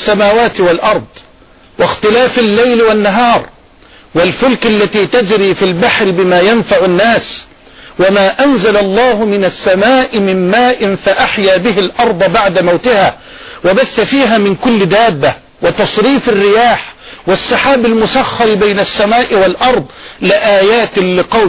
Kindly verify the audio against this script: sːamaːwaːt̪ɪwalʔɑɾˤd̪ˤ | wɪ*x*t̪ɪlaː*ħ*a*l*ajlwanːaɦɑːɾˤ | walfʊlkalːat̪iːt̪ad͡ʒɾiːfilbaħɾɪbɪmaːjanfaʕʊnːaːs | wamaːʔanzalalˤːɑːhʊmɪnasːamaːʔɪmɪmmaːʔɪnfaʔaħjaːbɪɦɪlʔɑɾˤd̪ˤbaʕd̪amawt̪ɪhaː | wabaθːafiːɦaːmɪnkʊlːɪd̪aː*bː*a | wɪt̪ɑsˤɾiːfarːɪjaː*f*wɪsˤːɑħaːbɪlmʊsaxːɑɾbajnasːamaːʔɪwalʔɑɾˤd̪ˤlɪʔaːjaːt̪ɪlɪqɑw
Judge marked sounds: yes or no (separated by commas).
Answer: yes, no, no, yes, no